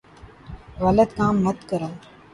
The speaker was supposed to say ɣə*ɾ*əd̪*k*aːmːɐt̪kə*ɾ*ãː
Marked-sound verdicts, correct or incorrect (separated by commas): incorrect, correct, correct